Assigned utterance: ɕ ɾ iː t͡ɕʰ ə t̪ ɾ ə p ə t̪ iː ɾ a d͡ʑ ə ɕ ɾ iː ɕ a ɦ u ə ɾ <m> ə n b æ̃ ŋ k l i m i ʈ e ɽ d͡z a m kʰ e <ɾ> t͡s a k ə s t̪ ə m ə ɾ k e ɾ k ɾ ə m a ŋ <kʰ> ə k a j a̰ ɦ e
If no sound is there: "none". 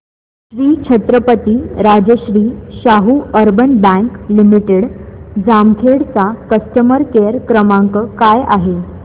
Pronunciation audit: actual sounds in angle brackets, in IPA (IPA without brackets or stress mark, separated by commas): b, ɽ, k